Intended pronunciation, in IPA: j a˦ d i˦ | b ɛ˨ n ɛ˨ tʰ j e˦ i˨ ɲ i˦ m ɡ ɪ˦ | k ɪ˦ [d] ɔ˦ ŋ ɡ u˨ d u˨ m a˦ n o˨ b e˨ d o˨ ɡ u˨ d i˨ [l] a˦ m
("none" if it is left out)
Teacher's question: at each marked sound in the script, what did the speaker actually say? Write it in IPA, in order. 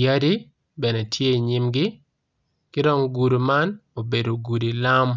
d, l

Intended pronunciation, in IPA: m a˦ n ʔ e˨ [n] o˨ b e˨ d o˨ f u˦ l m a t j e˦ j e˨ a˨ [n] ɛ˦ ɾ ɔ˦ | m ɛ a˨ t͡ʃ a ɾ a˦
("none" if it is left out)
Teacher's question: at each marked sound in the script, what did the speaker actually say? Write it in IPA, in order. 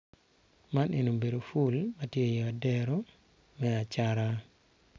n, d

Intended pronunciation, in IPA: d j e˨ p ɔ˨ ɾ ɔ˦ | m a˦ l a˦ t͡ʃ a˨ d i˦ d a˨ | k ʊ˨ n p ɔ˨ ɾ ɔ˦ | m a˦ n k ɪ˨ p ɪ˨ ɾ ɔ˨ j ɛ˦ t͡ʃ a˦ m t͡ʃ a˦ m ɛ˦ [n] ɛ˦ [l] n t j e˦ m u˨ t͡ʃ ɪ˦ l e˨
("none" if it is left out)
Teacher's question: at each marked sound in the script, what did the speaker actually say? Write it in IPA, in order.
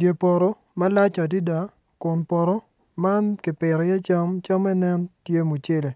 n, none

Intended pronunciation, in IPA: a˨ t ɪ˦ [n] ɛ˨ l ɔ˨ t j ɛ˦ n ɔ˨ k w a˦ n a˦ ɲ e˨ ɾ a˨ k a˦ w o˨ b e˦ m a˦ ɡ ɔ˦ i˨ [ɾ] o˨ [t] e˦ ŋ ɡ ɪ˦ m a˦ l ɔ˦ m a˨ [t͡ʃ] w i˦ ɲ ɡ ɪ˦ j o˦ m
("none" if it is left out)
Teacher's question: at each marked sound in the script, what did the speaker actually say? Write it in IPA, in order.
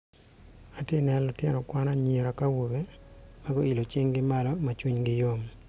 n, l, t͡ʃ, t͡ʃ

